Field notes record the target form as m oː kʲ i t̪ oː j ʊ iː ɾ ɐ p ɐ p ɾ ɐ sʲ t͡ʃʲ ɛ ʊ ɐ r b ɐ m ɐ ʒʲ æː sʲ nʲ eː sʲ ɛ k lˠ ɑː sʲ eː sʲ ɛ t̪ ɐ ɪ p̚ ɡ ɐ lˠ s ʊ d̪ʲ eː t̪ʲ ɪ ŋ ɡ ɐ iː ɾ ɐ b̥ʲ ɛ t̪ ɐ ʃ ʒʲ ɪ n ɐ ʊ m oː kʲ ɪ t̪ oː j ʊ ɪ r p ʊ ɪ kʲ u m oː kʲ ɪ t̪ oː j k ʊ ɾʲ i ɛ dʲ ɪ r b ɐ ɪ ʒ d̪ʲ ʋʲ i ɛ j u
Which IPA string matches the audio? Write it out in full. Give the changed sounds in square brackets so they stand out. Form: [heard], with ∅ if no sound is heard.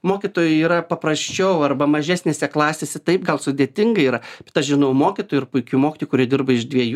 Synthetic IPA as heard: m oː kʲ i t̪ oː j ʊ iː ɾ ɐ p ɐ p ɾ ɐ sʲ t͡ʃʲ ɛ ʊ ɐ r b ɐ m ɐ ʒʲ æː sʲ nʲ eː sʲ ɛ k lˠ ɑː sʲ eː sʲ ɛ t̪ ɐ ɪ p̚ ɡ ɐ lˠ s ʊ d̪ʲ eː t̪ʲ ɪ ŋ ɡ ɐ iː ɾ ɐ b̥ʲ ɛ t̪ ɐ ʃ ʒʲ ɪ n ɐ ʊ m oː kʲ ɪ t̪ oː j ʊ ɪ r p ʊ ɪ kʲ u m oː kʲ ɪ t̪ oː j k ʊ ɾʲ i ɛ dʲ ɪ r b ɐ ɪ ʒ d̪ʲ ʋʲ i ɛ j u